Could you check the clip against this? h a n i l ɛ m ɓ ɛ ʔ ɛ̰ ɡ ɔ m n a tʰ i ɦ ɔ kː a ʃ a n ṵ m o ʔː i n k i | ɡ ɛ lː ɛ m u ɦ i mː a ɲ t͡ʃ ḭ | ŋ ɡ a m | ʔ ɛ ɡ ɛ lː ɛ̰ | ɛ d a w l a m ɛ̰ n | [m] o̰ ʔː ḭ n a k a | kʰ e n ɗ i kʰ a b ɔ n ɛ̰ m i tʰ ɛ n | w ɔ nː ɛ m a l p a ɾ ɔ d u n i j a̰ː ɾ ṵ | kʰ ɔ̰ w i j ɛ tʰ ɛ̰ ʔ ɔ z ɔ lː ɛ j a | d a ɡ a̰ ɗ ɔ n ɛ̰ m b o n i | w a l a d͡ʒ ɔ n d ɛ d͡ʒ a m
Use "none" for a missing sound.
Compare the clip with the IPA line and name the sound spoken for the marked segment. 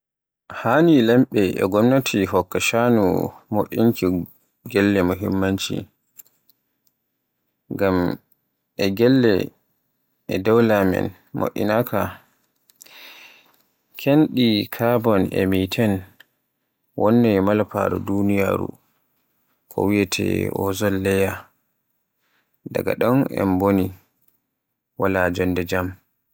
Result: m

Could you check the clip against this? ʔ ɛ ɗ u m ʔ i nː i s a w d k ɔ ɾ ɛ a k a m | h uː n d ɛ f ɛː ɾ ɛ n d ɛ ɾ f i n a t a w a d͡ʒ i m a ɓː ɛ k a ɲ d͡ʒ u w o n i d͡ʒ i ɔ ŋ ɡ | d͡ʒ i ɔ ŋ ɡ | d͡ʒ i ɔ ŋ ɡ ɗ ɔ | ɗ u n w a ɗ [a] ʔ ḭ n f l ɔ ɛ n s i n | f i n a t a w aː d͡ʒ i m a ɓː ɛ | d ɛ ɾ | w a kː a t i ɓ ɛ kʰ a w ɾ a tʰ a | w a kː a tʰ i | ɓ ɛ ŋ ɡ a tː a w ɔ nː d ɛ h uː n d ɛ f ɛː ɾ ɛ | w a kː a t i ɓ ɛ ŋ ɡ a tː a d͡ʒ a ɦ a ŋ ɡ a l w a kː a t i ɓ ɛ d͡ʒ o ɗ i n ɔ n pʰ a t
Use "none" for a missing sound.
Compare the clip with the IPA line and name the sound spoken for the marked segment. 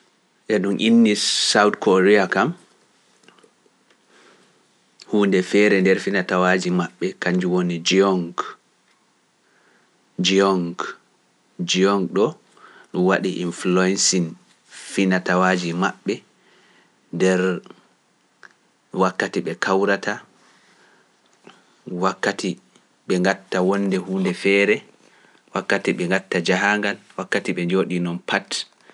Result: i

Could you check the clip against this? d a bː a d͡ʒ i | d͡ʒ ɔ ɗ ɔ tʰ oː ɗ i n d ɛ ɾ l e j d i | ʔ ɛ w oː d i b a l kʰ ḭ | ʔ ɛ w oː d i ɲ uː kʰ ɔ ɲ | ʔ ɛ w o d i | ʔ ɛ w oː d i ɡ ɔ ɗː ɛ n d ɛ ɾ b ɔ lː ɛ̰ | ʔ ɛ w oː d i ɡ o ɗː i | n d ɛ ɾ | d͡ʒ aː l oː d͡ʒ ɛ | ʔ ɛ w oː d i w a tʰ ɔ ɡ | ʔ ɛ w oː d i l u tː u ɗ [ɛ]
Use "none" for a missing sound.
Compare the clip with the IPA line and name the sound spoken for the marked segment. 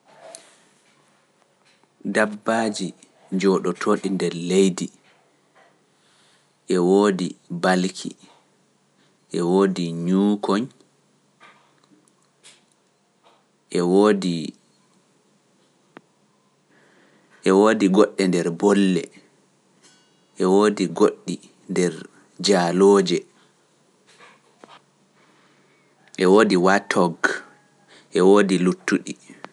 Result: i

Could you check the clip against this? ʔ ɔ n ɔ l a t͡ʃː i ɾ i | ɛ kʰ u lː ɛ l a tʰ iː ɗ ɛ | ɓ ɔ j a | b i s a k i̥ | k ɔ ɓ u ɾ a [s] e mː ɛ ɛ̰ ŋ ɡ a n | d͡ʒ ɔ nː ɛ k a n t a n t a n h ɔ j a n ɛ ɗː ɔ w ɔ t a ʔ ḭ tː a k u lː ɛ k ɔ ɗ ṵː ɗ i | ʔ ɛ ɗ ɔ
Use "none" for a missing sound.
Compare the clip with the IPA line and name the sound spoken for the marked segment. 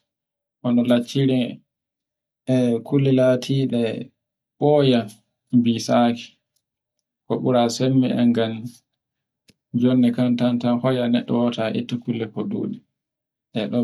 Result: s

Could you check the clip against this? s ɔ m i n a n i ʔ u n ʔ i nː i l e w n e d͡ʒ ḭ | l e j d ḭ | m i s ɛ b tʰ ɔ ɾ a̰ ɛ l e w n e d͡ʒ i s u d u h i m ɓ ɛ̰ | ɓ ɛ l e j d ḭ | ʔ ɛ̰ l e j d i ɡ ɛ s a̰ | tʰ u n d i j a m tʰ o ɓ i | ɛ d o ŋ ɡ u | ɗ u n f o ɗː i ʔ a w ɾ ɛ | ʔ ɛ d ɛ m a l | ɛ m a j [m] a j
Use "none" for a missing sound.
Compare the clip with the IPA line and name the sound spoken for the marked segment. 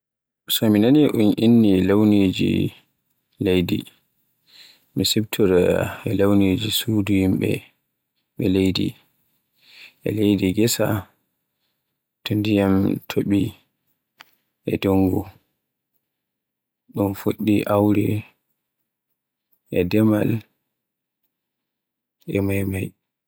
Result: m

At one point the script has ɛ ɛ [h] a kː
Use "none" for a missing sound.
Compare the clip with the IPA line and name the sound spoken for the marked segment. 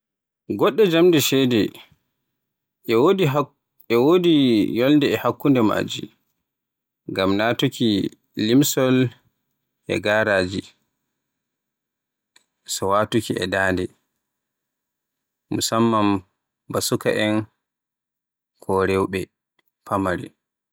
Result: h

